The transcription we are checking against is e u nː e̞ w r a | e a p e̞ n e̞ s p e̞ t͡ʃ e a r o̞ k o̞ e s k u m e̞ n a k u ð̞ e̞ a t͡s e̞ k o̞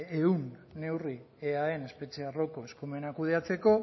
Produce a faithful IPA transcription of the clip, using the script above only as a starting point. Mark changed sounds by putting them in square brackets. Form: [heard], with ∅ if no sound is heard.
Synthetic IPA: e u nː e̞ w r [i] | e a [∅] e̞ n e̞ s p e̞ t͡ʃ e a r o̞ k o̞ e s k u m e̞ n a k u ð̞ e̞ a t͡s e̞ k o̞